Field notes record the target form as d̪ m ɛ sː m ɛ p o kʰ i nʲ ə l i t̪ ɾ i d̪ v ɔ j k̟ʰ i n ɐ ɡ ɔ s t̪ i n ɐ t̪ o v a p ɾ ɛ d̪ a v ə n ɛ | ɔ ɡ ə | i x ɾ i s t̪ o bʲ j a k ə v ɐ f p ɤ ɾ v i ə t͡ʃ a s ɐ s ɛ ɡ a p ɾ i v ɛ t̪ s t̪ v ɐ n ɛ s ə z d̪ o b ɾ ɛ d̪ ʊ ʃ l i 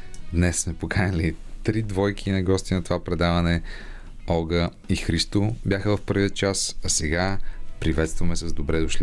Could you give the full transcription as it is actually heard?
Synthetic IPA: d̪ n ɛ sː m ɛ p o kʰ a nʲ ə l i t̪ ɾ i d̪ v ɔ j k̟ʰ i n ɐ ɡ ɔ s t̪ i n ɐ t̪ o v a p ɾ ɛ d̪ a v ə n ɛ | ɔ ɡ ə | i x ɾ i s t̪ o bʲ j a x ə v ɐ f p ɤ ɾ v i ə t͡ʃ a s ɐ s ɛ ɡ a p ɾ i v ɛ t̪ s t̪ v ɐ m ɛ s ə z d̪ o b ɾ ɛ d̪ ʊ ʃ l i